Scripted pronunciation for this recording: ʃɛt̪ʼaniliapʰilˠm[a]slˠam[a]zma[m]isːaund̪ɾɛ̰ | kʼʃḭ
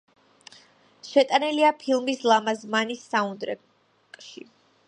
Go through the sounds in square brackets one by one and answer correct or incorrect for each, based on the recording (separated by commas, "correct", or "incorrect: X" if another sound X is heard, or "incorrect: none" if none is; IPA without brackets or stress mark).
incorrect: i, correct, incorrect: n